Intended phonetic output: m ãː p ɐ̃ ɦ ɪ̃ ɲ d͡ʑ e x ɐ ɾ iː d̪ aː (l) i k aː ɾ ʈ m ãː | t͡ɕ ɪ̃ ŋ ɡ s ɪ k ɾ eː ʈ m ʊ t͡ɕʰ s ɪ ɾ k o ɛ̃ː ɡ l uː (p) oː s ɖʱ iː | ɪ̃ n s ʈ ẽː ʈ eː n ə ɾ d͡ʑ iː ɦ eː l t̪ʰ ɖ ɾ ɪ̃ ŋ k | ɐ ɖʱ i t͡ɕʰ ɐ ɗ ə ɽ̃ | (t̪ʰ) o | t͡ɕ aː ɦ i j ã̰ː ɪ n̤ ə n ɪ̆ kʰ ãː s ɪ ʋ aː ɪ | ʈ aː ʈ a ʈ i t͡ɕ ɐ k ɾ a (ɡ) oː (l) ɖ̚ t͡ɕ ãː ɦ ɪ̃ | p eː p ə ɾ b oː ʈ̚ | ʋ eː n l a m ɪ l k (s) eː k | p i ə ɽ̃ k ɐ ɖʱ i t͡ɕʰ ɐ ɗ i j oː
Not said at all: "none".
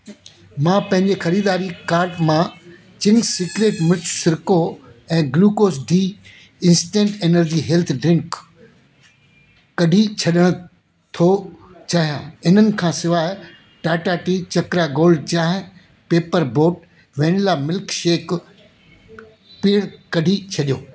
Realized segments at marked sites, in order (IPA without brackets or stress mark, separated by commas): ɾ, k, t̪ʰ, ɡ, l, ʃ